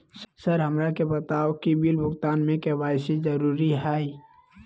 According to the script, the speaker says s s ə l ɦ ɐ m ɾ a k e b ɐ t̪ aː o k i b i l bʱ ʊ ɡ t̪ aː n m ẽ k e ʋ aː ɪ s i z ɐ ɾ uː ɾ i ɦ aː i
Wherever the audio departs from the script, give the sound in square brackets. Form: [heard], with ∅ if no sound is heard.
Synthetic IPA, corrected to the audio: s s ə [ɾ] ɦ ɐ m ɾ a k e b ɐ t̪ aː o k i b i l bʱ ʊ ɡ t̪ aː n m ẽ k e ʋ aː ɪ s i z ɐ ɾ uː ɾ i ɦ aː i